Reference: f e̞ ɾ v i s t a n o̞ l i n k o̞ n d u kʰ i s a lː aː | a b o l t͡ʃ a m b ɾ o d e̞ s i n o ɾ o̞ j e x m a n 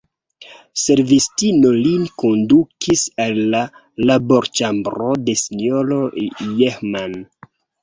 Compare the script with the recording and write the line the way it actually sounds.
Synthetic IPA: s e̞ ɾ v i s t i n o̞ l i n k o̞ n d u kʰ i s a lː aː | a b o ɾ t͡ʃ a m b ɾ o d e̞ s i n o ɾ o̞ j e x m a n